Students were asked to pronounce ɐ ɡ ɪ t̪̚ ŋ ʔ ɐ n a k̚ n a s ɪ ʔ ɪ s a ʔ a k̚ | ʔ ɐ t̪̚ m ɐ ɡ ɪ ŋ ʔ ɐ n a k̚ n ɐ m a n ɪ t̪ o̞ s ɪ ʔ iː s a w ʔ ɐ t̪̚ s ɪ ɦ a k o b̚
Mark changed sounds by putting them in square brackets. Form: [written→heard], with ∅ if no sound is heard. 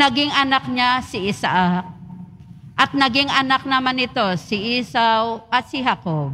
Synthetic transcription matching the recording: ɐ ɡ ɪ [t̪̚→∅] ŋ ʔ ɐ n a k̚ [n→ɲ] a s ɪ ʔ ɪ s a ʔ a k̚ | ʔ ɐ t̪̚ [m→n] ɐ ɡ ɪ ŋ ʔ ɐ n a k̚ n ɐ m a n ɪ t̪ o̞ s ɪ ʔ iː s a w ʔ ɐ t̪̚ s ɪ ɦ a k o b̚